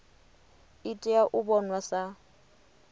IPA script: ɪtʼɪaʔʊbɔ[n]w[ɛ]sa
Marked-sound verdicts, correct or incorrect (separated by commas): correct, incorrect